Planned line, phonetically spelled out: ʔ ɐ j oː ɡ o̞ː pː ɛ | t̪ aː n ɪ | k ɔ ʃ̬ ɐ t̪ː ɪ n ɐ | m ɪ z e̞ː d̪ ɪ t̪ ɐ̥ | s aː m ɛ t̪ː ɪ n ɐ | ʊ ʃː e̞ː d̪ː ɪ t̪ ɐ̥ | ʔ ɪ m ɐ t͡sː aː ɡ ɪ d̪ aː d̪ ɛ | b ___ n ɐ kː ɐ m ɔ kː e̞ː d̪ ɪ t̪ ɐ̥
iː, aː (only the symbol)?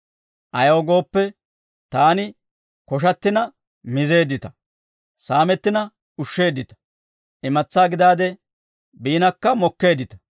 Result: iː